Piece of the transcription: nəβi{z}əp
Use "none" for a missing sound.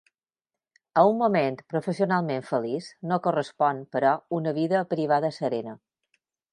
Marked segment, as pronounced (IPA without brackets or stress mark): ð